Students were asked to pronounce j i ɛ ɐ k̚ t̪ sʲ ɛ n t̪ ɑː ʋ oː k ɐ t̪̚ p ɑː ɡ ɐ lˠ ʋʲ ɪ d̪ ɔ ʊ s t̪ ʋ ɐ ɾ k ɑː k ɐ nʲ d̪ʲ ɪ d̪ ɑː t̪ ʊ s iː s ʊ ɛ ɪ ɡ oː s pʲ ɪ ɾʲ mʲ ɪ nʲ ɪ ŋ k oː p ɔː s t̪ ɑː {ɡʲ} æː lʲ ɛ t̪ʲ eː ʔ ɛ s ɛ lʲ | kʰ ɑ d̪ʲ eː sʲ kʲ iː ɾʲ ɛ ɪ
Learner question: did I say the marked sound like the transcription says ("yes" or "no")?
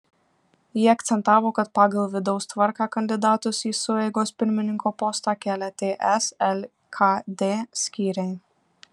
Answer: no